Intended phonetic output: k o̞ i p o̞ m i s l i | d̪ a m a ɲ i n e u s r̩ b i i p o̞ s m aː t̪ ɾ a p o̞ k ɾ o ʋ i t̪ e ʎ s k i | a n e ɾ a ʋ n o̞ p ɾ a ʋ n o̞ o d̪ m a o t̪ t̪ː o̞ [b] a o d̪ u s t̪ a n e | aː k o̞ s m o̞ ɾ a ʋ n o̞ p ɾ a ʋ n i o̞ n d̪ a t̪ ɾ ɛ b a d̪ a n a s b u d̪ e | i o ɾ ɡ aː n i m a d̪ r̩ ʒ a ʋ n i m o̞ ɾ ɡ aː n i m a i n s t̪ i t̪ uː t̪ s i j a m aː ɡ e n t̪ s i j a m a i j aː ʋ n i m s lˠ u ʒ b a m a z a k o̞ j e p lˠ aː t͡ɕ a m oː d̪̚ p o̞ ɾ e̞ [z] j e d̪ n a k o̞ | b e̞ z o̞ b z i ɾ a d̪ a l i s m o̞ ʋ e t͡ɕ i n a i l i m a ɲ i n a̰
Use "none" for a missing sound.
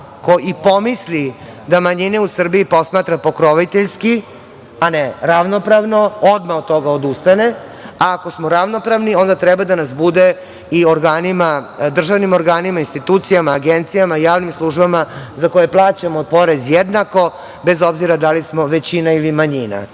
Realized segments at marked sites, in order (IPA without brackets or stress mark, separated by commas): ɡ, z